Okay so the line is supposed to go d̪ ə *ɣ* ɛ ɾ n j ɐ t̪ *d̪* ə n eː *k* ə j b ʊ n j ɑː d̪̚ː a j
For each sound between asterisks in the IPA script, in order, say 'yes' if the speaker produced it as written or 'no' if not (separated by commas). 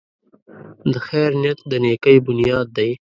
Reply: no, yes, yes